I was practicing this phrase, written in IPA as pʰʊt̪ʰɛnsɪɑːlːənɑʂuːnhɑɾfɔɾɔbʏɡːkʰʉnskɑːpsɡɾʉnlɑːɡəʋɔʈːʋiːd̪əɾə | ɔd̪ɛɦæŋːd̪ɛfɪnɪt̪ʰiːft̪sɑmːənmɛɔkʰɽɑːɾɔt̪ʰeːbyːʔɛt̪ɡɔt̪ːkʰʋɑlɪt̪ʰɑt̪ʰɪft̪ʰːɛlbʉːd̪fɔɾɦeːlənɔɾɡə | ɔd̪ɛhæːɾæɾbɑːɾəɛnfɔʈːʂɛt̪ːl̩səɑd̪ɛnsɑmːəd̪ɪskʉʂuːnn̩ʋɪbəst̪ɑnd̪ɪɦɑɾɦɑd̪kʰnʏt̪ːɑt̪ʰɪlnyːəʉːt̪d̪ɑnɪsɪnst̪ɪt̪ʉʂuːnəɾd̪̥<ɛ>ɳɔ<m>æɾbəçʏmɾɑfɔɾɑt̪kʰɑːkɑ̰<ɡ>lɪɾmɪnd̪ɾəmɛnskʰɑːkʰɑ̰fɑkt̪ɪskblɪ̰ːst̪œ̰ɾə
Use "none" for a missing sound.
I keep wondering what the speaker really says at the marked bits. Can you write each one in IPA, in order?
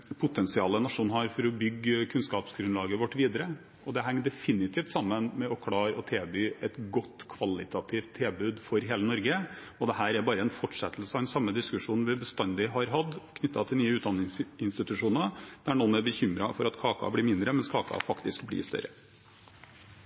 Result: æ, n, b

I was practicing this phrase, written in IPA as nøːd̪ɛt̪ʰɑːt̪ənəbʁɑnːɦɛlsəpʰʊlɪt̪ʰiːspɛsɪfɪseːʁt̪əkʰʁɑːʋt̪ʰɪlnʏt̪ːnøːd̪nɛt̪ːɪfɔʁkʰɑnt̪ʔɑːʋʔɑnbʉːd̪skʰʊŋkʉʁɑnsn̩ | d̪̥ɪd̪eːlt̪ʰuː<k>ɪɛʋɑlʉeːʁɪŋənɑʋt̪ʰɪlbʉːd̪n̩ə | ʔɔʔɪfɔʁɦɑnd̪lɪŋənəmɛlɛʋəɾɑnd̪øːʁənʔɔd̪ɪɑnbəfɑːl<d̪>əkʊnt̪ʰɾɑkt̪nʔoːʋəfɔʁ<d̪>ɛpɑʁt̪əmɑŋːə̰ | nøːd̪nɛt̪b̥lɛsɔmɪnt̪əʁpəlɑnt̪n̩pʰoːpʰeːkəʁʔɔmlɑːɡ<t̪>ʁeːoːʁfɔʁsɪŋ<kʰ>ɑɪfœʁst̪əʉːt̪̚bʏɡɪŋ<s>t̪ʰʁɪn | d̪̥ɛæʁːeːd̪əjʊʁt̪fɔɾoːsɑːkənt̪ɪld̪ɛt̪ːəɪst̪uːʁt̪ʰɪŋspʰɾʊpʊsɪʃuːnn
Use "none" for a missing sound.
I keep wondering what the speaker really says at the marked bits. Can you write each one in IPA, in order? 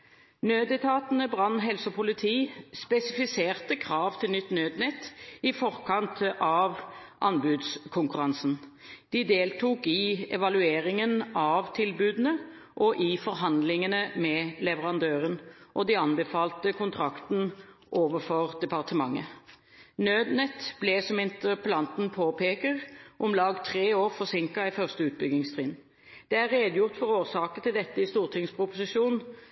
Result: k, t̪, d̪, t̪ʰ, k, s

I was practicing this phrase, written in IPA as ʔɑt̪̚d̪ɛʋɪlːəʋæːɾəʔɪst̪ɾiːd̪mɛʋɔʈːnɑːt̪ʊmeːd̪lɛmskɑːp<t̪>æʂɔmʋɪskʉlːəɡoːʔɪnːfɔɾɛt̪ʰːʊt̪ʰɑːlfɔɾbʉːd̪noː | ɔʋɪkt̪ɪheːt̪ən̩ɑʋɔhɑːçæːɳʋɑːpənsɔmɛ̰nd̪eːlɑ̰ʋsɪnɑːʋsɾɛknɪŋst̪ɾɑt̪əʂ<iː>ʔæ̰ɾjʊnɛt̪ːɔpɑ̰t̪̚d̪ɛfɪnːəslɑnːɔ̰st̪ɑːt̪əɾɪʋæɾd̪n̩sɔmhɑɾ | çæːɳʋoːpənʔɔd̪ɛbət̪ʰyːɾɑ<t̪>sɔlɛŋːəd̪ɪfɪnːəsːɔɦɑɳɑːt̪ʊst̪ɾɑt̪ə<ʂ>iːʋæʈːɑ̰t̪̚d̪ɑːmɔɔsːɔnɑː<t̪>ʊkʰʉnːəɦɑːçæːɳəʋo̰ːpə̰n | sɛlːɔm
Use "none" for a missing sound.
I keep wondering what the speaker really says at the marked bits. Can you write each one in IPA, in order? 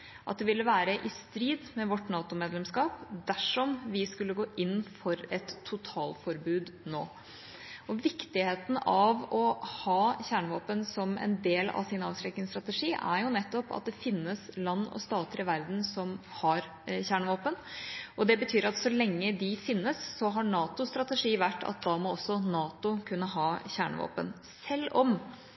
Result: d̪, iː, t̪, ʂ, t̪

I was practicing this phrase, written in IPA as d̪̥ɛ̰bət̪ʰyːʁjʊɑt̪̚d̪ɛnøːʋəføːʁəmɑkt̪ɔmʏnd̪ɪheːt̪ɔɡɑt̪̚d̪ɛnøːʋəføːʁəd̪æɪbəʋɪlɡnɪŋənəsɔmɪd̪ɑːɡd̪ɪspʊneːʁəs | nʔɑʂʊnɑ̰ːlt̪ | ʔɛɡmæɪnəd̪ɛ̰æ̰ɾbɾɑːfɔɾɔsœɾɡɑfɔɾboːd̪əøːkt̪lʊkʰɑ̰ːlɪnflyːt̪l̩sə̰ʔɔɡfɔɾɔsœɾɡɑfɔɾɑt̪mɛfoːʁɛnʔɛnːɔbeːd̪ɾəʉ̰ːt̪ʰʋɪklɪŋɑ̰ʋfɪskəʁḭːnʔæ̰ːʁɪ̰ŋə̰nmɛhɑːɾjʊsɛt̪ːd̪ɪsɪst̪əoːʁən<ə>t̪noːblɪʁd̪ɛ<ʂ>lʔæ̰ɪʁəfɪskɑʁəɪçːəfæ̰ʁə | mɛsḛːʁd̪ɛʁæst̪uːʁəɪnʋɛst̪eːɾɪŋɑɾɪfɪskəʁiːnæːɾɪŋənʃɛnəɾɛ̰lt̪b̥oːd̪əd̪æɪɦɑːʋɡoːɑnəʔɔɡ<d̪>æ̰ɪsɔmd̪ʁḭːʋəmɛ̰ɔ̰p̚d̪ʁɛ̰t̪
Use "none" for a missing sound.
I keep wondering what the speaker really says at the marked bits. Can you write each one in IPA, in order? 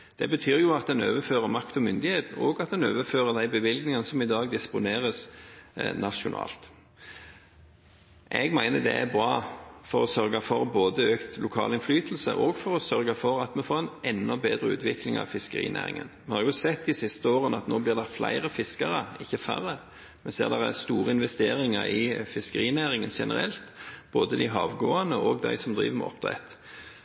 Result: ɑ, f, d̪

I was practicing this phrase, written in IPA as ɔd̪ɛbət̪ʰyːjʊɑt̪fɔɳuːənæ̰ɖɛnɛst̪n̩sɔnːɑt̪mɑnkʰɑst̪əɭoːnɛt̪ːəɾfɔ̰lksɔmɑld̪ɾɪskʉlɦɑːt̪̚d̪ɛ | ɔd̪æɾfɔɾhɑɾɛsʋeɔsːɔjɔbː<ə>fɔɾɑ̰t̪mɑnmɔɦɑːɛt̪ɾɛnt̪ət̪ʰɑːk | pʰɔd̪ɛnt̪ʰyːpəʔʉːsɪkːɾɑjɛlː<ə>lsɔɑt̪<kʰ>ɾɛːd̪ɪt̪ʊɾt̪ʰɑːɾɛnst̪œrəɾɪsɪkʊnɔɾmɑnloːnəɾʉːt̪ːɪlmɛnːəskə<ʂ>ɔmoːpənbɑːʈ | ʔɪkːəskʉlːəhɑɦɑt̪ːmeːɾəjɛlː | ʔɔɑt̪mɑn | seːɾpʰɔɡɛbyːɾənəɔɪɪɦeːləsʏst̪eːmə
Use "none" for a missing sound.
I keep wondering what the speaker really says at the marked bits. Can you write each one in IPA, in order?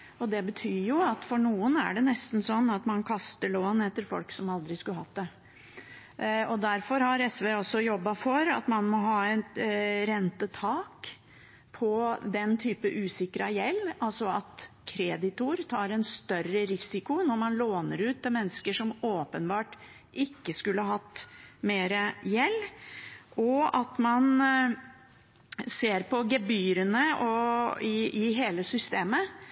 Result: ɑ, ɑ, kʰ, ʂ

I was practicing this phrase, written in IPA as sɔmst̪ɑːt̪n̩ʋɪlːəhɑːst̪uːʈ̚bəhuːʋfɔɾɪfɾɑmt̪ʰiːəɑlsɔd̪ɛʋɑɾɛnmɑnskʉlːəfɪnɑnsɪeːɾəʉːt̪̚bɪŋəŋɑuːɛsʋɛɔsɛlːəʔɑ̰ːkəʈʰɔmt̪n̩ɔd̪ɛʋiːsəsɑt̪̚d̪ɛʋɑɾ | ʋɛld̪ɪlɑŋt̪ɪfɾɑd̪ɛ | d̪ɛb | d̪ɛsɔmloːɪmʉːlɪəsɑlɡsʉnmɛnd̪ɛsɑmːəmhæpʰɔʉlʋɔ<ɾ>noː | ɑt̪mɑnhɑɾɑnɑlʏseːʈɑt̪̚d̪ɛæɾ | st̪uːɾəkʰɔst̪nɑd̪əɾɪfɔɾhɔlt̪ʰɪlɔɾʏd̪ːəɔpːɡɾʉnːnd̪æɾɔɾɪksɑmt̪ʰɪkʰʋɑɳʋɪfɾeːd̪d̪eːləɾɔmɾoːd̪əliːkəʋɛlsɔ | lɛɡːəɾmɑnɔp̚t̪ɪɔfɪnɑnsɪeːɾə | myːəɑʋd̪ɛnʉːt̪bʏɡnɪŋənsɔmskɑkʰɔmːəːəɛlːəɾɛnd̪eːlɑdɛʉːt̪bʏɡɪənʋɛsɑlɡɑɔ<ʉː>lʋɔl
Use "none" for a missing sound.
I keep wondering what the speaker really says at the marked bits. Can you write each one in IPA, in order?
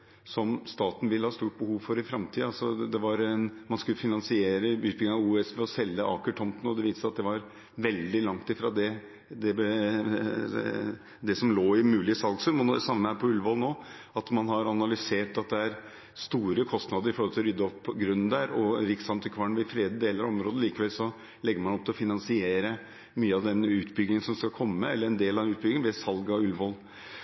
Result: l, ʉ

